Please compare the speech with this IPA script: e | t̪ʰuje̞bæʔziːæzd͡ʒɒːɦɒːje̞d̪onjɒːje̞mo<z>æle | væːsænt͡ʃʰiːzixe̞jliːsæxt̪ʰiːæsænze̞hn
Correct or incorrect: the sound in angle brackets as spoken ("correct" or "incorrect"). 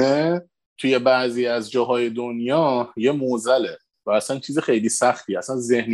correct